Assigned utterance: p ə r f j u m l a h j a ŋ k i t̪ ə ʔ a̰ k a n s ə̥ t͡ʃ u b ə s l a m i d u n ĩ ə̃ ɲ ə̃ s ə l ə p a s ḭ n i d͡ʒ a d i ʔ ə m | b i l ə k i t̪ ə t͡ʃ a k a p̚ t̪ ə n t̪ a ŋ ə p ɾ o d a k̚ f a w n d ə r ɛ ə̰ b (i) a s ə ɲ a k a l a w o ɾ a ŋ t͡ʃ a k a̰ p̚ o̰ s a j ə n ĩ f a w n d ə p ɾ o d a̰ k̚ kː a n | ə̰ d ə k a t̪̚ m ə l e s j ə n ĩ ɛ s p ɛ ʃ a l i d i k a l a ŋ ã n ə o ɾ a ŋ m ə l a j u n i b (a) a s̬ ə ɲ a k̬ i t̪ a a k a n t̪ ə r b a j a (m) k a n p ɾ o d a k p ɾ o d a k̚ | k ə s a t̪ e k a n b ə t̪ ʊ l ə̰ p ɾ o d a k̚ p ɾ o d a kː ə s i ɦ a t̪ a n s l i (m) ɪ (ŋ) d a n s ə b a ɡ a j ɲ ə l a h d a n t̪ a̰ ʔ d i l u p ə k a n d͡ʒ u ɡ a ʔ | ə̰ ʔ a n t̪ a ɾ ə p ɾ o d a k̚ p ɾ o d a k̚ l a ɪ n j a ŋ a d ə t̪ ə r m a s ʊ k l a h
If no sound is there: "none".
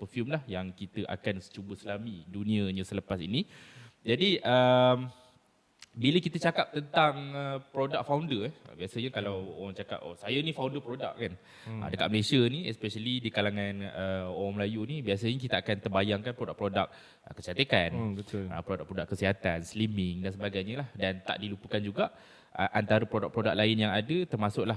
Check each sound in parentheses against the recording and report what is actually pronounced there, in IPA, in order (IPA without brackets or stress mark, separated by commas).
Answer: i, i, ŋ, m, ŋ